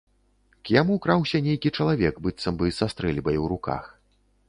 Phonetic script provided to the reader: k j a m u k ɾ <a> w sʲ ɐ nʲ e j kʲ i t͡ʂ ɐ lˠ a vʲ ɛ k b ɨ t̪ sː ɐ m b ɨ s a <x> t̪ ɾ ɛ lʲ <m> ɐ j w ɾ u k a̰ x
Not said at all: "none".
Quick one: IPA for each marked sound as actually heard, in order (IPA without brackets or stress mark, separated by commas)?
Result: a, s, b